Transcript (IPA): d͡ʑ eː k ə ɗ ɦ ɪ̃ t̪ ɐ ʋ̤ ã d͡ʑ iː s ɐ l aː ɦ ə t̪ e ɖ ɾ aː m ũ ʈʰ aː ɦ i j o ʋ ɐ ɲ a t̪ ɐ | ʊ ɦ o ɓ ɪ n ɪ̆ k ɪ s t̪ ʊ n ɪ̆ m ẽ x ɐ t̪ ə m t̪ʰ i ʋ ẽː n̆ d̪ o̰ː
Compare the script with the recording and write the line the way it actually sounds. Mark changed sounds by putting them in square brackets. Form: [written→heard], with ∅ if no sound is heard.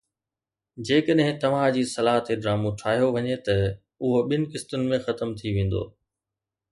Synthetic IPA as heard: d͡ʑ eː k ə ɗ ɦ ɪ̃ t̪ ɐ ʋ̤ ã d͡ʑ iː s ɐ l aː ɦ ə t̪ e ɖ ɾ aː m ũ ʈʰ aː ɦ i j o ʋ ɐ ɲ [a→e] t̪ ɐ | ʊ ɦ o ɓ ɪ n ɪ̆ k ɪ s t̪ ʊ n ɪ̆ m ẽ x ɐ t̪ ə m t̪ʰ i ʋ ẽː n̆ d̪ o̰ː

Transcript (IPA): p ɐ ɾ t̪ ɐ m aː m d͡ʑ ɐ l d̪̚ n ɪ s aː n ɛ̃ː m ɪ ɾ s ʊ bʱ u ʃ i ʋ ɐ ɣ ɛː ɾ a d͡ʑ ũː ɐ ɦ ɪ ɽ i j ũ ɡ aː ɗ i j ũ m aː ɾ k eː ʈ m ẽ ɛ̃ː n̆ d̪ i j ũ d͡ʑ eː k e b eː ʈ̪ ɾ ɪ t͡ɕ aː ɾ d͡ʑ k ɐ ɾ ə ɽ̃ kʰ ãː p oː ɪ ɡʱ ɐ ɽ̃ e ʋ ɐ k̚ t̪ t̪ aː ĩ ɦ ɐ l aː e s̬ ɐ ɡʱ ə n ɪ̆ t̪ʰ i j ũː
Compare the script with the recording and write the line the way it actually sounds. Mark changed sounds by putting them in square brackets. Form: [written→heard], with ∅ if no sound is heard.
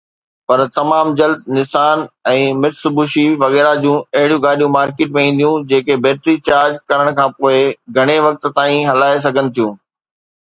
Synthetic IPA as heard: p ɐ ɾ t̪ ɐ m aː m d͡ʑ ɐ l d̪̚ n ɪ s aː n ɛ̃ː m ɪ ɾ s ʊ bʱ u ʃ i ʋ ɐ ɣ ɛː ɾ a d͡ʑ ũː ɐ ɦ ɪ ɽ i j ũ ɡ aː ɗ i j ũ m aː ɾ k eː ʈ m ẽ [ɛ̃ː→ĩː] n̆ d̪ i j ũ d͡ʑ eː k e b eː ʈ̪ ɾ [ɪ→i] t͡ɕ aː ɾ d͡ʑ k ɐ ɾ ə ɽ̃ kʰ ãː p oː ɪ ɡʱ ɐ ɽ̃ e ʋ ɐ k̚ t̪ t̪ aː ĩ ɦ ɐ l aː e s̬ ɐ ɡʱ ə n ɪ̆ t̪ʰ i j ũː

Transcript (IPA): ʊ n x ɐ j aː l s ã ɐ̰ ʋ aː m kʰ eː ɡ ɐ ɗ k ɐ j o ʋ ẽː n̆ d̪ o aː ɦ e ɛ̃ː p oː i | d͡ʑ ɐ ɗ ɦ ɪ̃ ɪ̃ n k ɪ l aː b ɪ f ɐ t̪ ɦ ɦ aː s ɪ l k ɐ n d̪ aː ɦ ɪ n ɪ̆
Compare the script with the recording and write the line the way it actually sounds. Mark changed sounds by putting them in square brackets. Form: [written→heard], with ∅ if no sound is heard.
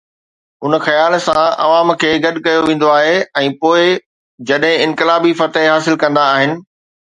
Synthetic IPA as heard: ʊ n x ɐ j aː l s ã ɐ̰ ʋ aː m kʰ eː ɡ ɐ ɗ k ɐ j o ʋ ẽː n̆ d̪ o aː ɦ e ɛ̃ː p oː [i→ɪ] | d͡ʑ ɐ ɗ ɦ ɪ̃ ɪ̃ n k ɪ l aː b [ɪ→i] f ɐ t̪ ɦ ɦ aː s ɪ l k [ɐ→ɐ̃] n d̪ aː ɦ ɪ n ɪ̆

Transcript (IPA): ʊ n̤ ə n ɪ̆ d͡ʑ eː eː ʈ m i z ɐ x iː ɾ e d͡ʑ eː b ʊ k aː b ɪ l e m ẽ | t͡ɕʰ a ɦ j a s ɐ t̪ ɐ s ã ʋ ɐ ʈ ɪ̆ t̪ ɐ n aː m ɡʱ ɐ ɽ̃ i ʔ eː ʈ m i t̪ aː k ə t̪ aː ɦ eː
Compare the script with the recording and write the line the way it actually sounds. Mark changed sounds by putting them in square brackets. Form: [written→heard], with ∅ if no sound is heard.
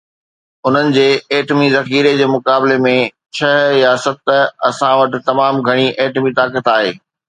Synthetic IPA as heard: ʊ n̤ ə n ɪ̆ d͡ʑ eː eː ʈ m i z ɐ x iː ɾ e d͡ʑ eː [b→m] ʊ k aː b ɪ l e m ẽ | t͡ɕʰ [a→ɐ] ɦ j a s ɐ t̪ ɐ s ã ʋ ɐ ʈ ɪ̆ t̪ ɐ [n→m] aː m ɡʱ ɐ ɽ̃ i ʔ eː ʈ m i t̪ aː k ə t̪ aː ɦ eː

